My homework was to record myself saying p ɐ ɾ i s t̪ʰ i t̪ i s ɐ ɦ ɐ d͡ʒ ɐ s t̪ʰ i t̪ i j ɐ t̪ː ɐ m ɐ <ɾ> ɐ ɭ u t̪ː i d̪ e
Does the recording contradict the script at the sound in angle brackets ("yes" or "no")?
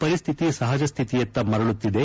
no